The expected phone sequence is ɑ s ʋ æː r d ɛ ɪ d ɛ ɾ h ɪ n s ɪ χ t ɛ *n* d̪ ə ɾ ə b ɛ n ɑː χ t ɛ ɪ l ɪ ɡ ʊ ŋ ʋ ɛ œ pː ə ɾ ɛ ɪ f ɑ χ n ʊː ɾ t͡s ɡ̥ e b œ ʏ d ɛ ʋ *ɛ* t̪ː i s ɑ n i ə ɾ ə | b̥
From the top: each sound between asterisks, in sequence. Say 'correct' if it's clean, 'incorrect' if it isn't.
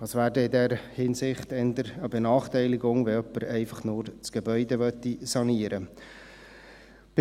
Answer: correct, incorrect: œ

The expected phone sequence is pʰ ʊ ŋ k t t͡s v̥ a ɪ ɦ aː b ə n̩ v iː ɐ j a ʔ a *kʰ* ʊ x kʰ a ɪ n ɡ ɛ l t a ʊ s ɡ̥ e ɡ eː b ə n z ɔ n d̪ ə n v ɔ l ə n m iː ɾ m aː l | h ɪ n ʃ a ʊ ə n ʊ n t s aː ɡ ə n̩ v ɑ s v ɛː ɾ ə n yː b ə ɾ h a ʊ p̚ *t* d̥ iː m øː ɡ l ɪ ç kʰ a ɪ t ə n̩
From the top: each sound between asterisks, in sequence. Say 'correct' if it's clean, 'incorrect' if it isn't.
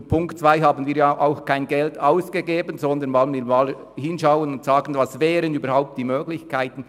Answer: incorrect: none, correct

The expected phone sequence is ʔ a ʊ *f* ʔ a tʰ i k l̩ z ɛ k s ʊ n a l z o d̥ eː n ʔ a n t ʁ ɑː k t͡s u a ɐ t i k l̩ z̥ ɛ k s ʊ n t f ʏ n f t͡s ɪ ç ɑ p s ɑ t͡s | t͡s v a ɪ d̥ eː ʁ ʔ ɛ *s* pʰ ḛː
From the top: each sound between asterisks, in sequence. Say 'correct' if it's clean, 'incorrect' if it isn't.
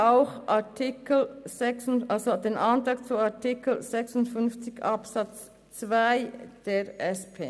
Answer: incorrect: x, correct

